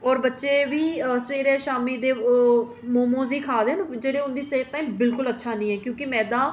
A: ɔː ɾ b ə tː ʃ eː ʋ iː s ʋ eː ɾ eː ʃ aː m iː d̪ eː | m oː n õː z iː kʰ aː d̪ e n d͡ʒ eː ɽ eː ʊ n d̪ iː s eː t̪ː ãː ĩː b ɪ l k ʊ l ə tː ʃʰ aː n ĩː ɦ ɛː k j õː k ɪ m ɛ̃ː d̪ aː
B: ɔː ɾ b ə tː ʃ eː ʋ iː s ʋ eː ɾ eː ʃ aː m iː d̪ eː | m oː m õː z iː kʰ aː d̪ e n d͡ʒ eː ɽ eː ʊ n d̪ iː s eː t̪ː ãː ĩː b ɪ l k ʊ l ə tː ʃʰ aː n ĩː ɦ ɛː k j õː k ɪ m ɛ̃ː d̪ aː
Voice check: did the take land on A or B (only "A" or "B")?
B